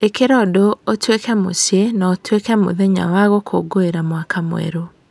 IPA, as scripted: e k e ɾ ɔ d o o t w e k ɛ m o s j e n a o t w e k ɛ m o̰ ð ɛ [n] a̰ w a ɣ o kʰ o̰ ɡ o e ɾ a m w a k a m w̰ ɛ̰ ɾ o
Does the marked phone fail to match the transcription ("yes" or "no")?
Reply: yes